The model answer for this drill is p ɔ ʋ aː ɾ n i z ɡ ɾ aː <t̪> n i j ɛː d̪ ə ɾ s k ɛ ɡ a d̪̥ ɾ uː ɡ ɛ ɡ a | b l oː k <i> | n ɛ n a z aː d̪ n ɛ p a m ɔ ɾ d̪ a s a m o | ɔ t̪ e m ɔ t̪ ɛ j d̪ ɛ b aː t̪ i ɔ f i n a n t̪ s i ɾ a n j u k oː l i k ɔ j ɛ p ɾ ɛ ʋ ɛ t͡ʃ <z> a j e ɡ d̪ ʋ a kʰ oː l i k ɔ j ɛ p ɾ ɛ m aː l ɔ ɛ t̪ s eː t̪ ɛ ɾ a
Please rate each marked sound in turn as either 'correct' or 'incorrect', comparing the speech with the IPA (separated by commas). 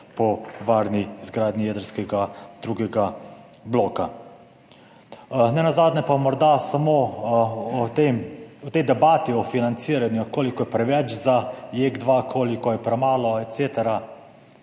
incorrect, incorrect, correct